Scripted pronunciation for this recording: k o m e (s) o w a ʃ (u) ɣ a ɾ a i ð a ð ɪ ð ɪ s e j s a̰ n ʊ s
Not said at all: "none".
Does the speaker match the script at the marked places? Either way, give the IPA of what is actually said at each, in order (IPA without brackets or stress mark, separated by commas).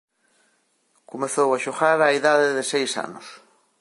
θ, o